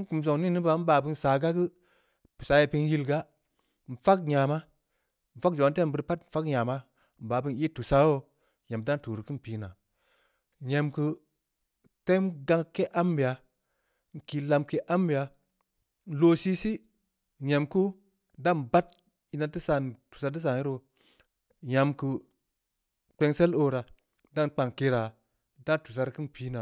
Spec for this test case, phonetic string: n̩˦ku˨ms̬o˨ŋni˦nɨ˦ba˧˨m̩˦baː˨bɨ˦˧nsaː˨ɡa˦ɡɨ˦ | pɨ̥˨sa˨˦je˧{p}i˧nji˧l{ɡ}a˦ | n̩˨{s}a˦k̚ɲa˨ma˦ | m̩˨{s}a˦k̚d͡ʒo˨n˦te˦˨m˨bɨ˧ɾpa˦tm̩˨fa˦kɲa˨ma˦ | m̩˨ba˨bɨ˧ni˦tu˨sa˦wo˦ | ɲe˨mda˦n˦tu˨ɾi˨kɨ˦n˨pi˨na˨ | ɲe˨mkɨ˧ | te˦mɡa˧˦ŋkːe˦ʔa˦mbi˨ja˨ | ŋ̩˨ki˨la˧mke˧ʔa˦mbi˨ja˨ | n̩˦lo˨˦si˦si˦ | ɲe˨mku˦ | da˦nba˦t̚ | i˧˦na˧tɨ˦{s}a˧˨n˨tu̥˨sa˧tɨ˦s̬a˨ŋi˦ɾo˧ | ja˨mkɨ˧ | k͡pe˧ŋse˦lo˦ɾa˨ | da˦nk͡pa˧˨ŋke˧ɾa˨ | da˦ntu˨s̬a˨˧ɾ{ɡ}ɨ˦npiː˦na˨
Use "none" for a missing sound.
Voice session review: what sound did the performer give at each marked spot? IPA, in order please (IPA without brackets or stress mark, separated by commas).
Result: p, ɡ, f, f, s, k